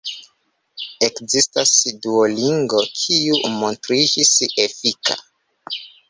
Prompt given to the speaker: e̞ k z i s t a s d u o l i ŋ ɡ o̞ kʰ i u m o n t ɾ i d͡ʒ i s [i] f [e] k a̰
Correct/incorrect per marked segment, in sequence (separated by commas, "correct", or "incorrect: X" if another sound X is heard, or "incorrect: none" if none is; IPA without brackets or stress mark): incorrect: e, incorrect: i